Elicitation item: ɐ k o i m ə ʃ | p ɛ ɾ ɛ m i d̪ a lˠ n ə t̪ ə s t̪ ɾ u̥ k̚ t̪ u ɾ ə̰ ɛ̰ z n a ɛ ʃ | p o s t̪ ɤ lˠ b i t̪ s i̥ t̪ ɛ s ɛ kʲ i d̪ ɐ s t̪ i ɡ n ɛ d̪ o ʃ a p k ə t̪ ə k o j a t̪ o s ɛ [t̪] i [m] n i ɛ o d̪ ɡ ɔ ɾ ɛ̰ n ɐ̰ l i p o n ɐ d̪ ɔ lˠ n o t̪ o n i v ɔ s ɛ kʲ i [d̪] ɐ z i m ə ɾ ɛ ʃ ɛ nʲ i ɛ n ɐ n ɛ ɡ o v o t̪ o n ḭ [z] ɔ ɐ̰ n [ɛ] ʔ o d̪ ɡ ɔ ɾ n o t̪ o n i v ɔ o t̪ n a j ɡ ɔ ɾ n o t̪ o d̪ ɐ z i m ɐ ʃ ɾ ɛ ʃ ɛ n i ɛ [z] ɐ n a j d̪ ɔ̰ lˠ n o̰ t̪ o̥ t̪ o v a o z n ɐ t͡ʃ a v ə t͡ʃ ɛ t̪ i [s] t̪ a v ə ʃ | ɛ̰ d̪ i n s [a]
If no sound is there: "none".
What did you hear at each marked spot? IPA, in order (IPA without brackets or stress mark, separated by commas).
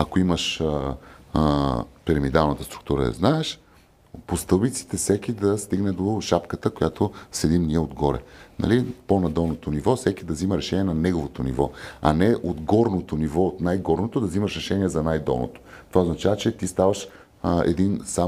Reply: d̪, m, d̪, v, ɛ, z, s, a